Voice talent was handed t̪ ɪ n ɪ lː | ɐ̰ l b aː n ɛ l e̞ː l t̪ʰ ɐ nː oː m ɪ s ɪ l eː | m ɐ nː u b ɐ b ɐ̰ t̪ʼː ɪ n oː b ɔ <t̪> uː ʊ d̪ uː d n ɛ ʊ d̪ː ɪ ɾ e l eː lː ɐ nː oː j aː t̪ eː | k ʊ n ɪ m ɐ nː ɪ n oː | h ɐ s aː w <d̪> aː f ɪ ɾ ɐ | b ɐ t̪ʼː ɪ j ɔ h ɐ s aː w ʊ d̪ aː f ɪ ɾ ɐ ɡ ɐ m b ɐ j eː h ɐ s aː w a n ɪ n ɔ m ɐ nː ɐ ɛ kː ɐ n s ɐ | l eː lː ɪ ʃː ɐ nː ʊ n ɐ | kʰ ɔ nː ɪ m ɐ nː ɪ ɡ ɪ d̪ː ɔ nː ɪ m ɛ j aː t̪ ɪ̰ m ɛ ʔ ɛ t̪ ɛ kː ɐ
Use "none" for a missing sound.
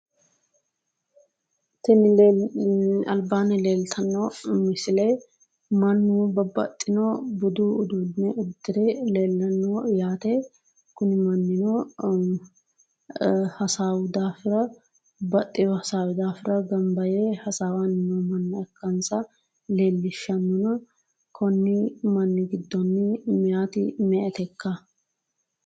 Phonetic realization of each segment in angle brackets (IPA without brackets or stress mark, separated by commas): d̪, d̪